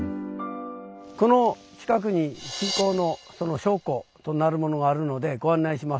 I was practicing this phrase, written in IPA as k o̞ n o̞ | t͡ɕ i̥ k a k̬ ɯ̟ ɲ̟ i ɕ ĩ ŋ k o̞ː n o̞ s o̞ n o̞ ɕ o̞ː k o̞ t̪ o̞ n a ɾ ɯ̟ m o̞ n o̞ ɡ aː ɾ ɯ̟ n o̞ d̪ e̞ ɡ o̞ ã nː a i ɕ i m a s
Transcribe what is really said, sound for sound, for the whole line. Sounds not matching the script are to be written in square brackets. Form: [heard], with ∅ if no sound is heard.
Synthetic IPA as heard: k o̞ n o̞ | t͡ɕ i̥ k a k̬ ɯ̟ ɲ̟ i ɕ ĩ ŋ k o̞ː n o̞ s o̞ n o̞ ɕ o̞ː k o̞ t̪ o̞ n a ɾ ɯ̟ m o̞ n o̞ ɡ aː ɾ ɯ̟ n o̞ d̪ e̞ ɡ o̞ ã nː a i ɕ i m a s